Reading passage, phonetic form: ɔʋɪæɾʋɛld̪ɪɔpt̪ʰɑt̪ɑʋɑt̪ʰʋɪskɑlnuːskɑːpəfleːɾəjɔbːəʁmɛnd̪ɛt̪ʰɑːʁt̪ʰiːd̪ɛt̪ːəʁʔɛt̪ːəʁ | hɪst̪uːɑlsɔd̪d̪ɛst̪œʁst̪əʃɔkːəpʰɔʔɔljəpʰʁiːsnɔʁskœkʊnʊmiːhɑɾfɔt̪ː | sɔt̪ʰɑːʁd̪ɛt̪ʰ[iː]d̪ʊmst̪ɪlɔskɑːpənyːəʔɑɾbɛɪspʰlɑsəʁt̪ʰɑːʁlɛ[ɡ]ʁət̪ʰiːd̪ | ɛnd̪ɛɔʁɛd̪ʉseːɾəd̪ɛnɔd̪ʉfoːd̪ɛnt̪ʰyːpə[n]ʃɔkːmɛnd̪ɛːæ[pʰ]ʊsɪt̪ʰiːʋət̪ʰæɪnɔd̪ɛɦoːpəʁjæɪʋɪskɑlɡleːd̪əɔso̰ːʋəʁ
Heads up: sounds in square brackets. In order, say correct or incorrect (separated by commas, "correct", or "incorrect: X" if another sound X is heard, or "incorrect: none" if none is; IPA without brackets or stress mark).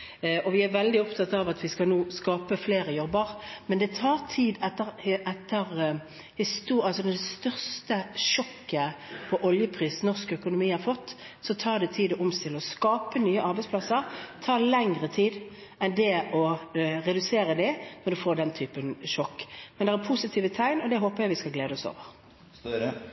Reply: correct, incorrect: ŋ, correct, correct